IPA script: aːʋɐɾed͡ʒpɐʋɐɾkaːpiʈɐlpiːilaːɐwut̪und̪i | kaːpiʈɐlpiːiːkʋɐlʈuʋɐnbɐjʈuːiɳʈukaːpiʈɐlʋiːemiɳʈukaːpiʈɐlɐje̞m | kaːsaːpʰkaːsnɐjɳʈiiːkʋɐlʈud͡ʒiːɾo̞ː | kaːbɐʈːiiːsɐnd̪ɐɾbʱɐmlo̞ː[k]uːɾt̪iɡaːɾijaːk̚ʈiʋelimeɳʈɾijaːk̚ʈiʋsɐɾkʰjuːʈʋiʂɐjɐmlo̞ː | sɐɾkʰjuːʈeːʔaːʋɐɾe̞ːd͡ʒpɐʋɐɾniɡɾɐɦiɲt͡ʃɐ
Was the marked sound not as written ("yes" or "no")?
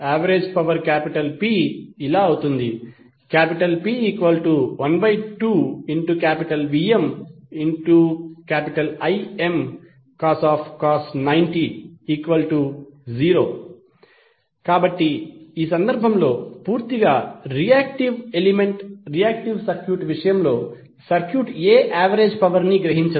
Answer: yes